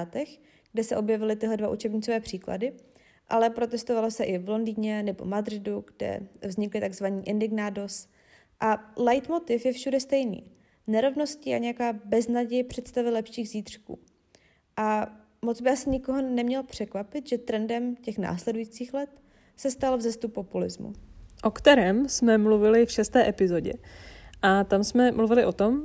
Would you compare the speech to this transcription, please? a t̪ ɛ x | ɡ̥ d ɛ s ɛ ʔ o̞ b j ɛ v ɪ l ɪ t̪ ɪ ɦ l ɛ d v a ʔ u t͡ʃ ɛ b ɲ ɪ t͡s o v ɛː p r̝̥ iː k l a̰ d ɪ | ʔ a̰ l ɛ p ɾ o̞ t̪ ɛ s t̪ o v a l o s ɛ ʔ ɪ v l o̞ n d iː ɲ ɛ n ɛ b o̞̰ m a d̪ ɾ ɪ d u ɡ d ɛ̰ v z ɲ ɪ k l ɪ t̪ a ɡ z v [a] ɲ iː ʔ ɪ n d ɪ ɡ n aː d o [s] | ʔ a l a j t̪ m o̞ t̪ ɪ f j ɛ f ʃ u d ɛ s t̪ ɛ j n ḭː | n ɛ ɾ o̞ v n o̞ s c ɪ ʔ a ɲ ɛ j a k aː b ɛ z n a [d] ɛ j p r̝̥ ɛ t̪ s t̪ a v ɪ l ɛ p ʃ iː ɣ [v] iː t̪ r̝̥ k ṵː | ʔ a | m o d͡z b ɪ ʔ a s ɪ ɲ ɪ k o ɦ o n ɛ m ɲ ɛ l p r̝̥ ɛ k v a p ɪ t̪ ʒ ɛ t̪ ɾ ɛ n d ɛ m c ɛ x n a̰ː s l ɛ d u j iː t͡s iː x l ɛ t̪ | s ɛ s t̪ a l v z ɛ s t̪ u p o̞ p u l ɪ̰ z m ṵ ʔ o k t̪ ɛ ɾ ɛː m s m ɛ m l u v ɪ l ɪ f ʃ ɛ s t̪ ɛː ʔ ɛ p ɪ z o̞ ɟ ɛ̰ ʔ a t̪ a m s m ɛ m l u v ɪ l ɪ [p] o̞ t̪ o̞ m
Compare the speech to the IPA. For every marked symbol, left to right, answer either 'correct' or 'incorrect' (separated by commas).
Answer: correct, correct, incorrect, incorrect, incorrect